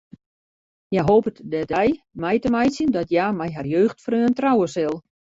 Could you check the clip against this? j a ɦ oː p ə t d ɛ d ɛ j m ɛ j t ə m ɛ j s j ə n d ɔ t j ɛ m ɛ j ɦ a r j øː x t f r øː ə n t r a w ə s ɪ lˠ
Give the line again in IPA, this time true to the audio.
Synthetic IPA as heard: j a ɦ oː p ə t d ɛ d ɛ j m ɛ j t ə m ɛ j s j ə n d ɔ t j a m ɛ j ɦ a r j øː x t f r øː ə n t r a w ə s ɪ lˠ